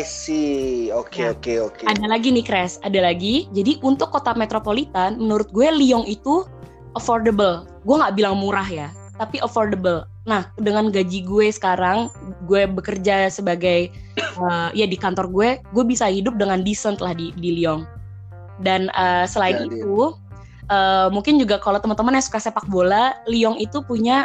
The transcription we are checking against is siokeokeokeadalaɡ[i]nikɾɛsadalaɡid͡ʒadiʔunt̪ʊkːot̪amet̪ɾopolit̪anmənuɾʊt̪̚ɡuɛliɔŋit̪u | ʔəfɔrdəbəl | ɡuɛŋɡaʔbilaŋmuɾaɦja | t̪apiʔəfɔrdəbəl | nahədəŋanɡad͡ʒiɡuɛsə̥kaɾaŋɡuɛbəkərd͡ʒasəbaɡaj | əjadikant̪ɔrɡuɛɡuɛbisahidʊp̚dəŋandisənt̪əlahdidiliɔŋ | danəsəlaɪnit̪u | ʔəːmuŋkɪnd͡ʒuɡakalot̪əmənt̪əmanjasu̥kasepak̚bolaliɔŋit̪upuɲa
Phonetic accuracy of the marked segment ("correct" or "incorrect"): correct